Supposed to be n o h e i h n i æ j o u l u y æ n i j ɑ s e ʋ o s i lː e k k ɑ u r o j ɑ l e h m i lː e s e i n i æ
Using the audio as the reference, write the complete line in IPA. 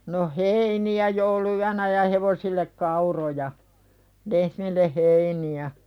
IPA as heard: n o h e i n i æ j o u l u y æ n æ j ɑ h e ʋ o s i lː e k k ɑ u r o j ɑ l e h m i lː e h e i n i æ

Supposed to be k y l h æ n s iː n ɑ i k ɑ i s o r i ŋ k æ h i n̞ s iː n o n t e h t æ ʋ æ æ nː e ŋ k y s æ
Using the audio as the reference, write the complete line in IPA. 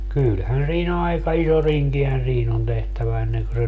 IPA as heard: k y l h æ n s iː n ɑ i k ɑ i s o r i ŋ k i h æ n̞ s iː n o n t e h t æ ʋ æ e nː e ŋ k ø s e

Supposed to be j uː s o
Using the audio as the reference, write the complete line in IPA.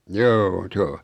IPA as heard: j oː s o

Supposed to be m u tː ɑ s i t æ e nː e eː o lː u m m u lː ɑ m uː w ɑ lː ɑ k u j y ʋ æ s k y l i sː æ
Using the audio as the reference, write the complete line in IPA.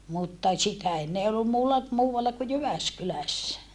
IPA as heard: m u tː ɑ s i t æ e nː e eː o lː u m m uː lː ɑ m uː w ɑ lː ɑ k u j y ʋ æ s k y l æ sː æ

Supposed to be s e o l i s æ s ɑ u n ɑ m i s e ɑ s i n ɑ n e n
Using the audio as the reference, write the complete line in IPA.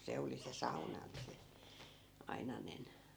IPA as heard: s e o l i s e s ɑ u n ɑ n i s e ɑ i n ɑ n e n

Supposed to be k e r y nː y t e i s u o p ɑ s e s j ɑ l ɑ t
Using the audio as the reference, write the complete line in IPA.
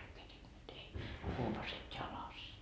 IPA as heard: k e r i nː y t e i h u o p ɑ s e t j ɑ l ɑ s

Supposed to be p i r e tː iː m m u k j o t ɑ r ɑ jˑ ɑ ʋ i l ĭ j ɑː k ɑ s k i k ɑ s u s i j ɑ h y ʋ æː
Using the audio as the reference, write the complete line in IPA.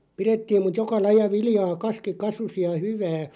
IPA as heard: p i r e tː iː m m u t j o k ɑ l ɑ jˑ ɑ ʋ i l ĭ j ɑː k ɑ s k i k ɑ s u s i j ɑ h y ʋ æː

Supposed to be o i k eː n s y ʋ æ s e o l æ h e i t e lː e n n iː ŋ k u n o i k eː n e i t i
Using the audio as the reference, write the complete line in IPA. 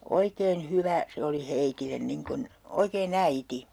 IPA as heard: o i k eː n h y ʋ æ s e o l i h e i t i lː e n n i ŋ k u n o i k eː n æ i t i

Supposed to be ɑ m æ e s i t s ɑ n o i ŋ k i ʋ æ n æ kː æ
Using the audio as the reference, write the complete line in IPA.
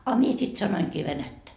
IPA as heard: ɑ m i e s i t s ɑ n o i ŋ k iː ʋ e n æ tː æ

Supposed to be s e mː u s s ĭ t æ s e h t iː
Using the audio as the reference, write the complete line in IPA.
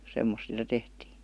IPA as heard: s e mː o s s ĭ t æ t e h t iː

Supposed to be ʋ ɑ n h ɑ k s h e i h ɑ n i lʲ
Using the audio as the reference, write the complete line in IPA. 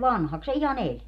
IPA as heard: ʋ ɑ n h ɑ k s s e i h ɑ n e lʲ

